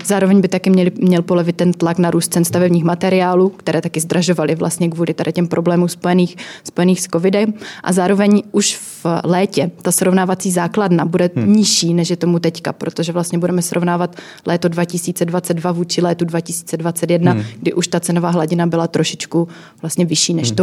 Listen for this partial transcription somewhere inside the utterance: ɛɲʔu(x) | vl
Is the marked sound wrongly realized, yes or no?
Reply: yes